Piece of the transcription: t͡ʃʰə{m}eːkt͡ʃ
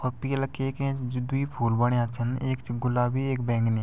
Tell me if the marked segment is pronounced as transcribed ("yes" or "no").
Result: no